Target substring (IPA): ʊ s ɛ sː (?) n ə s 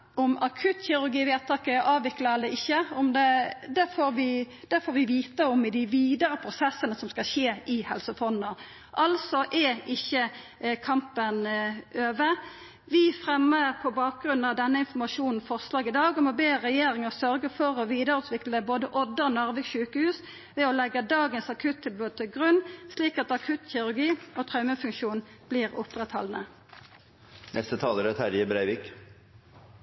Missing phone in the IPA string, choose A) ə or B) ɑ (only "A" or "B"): A